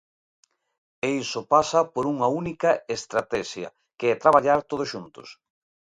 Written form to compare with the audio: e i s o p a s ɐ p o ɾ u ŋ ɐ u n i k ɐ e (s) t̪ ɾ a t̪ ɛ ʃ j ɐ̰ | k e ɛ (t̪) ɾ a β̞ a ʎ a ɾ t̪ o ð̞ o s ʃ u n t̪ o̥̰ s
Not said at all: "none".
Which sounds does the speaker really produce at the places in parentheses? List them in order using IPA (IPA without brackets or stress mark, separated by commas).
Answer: s, t̪